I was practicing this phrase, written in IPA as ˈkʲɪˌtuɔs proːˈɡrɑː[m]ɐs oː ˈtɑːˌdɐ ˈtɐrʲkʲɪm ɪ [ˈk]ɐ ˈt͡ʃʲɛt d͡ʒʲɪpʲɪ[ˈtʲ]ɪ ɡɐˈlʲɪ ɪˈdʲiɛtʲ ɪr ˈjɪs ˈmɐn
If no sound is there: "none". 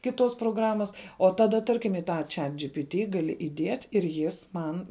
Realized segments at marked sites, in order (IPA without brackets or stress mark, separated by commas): m, t, tʲ